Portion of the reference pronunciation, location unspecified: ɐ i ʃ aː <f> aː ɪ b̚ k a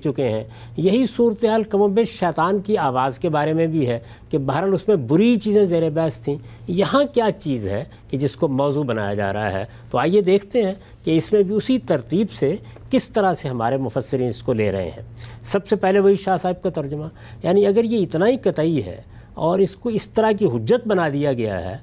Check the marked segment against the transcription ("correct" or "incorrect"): incorrect